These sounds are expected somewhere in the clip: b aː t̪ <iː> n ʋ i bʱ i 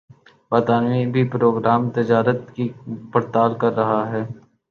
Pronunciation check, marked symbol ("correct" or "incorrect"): incorrect